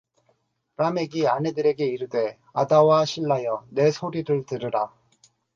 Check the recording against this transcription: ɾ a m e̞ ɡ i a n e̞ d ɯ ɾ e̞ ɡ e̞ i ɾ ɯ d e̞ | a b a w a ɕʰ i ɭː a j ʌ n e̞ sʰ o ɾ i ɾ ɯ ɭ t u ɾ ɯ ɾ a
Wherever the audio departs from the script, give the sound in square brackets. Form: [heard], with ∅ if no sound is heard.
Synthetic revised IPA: ɾ a m e̞ ɡ i a n e̞ d ɯ ɾ e̞ ɡ e̞ i ɾ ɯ d e̞ | a [d] a w a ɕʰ i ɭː a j ʌ n e̞ sʰ o ɾ i ɾ ɯ ɭ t [ɯ] ɾ ɯ ɾ a